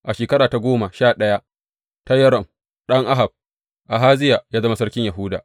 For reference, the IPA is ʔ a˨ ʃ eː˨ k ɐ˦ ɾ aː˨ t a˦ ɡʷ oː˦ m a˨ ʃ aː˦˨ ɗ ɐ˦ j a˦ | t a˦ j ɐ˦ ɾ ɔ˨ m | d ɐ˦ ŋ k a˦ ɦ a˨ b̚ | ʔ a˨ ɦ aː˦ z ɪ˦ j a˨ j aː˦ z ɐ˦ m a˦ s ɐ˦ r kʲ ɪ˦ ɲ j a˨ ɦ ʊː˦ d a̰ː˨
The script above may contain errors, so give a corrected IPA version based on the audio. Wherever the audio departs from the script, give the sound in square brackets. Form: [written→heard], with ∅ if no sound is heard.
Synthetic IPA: ʔ a˨ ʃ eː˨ k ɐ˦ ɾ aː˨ t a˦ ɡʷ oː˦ m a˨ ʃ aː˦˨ ɗ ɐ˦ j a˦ | t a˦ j ɐ˦ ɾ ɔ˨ m | [d→ɗ] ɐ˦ ŋ [k→ʔ] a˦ ɦ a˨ b̚ | ʔ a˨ ɦ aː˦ z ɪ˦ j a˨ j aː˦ z ɐ˦ m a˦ s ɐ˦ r kʲ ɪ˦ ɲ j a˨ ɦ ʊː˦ d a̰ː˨